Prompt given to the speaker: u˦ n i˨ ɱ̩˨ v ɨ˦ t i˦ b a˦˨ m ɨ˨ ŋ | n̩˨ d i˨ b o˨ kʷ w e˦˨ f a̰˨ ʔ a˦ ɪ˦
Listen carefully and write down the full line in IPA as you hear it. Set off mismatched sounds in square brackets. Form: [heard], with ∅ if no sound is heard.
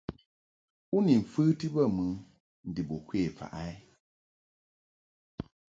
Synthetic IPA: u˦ n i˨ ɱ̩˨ [f] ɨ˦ t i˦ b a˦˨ m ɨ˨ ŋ | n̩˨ d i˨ b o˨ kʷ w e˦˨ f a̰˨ ʔ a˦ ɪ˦